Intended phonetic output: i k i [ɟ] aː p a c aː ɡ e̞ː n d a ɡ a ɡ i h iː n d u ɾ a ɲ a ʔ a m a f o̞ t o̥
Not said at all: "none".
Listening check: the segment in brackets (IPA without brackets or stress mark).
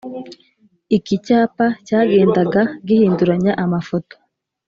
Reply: c